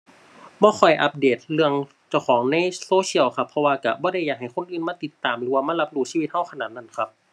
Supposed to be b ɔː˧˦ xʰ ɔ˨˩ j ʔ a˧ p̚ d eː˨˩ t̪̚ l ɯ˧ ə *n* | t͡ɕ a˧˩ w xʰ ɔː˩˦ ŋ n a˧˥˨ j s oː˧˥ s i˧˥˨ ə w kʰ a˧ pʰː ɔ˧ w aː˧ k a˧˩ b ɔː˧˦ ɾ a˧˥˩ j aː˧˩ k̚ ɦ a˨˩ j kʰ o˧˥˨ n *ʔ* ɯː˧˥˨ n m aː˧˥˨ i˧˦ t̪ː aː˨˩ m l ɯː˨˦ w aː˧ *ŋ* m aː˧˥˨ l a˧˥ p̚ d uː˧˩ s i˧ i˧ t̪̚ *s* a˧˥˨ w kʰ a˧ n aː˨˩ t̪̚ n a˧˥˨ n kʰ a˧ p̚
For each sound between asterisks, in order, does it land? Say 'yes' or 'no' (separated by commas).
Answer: no, yes, no, no